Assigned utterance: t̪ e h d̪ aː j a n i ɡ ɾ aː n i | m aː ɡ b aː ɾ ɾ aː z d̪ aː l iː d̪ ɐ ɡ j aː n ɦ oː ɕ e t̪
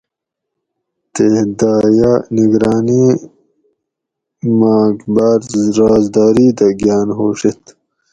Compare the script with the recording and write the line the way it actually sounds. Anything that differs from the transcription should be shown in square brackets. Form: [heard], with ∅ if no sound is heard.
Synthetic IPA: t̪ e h d̪ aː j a n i ɡ ɾ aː n i | m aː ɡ b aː ɾ ɾ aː z d̪ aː [ɾ] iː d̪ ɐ ɡ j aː n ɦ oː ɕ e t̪